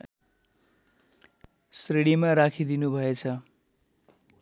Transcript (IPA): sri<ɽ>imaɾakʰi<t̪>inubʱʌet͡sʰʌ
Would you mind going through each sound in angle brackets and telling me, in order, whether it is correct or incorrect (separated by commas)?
correct, incorrect